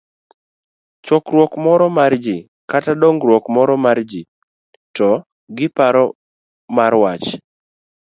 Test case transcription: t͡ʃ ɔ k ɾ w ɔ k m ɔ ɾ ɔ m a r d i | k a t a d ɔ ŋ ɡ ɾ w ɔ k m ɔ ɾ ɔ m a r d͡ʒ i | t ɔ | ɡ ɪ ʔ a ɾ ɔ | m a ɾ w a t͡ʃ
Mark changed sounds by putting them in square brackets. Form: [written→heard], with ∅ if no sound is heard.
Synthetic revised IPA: t͡ʃ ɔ k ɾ w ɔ k m ɔ ɾ ɔ m a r [d→d͡ʒ] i | k a t a d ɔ ŋ ɡ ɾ w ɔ k m ɔ ɾ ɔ m a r d͡ʒ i | t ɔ | ɡ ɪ [ʔ→p] a ɾ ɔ | m a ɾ w a t͡ʃ